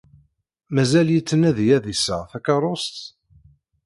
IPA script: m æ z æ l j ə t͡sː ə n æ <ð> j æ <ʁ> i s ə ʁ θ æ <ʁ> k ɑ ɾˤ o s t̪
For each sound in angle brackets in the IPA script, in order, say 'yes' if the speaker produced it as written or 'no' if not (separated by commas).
yes, no, no